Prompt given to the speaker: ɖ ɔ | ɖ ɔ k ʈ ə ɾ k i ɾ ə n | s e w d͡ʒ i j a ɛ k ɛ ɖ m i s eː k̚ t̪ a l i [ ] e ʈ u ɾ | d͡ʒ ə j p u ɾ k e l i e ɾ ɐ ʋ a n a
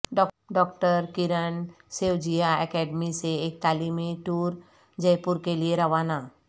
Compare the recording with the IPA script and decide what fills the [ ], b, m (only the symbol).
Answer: m